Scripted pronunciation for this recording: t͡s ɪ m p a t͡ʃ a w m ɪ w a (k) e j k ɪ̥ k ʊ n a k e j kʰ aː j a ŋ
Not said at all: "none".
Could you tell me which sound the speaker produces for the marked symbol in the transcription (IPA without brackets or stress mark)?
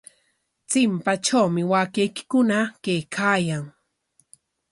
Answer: k